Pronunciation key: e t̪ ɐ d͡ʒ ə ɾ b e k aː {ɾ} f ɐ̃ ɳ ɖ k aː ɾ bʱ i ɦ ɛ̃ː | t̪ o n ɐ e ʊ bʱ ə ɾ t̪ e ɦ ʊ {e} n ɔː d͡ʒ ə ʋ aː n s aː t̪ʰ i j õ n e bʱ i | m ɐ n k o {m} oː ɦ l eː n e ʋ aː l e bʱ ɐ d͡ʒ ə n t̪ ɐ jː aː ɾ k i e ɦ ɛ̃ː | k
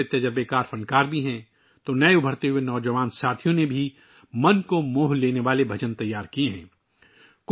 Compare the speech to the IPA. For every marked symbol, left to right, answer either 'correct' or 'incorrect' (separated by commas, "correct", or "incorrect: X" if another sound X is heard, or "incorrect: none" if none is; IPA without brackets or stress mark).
correct, correct, correct